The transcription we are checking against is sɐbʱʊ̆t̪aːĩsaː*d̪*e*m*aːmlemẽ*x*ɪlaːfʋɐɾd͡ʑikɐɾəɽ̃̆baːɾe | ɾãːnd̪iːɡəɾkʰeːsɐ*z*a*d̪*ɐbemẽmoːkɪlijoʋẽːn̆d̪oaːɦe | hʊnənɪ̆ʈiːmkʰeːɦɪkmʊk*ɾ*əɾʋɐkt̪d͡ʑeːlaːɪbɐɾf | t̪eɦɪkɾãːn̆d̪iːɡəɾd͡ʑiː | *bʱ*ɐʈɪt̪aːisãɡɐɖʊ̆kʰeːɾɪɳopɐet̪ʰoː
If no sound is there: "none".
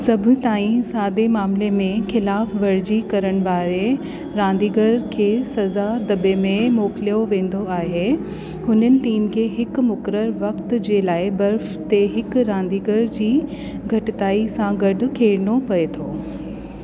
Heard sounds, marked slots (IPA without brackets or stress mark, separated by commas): d̪, m, x, z, d̪, ɾ, ɡʱ